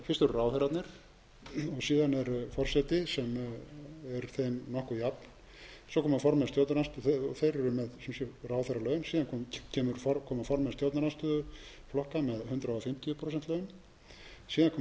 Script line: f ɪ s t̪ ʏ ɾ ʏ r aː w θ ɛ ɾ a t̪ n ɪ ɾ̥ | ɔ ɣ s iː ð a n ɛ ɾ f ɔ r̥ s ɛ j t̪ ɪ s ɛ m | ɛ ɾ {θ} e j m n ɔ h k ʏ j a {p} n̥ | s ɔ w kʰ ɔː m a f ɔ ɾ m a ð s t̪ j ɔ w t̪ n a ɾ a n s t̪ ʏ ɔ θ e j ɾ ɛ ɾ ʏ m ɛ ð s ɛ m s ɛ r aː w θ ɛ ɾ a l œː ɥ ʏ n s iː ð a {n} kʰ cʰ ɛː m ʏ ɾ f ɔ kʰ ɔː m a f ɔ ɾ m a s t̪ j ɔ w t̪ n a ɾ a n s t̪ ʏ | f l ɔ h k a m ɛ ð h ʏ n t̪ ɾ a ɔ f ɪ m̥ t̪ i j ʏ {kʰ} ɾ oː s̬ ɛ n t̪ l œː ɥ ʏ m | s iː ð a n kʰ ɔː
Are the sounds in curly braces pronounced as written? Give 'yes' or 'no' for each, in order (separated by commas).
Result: yes, yes, yes, no